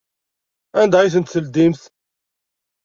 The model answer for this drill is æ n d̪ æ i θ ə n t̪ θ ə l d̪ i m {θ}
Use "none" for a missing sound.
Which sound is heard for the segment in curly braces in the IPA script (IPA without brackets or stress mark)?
θ